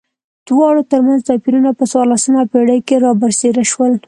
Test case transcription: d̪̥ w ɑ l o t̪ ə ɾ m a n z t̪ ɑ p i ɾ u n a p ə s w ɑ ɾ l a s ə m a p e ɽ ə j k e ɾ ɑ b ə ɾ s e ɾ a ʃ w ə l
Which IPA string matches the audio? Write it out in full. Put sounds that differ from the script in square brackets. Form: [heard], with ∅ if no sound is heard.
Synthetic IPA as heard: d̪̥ w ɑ [ɽ] o t̪ ə ɾ m a n z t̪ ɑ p i ɾ u n a p ə s w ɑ ɾ l a s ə m a p e ɽ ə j k e ɾ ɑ b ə ɾ s e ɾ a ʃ w ə l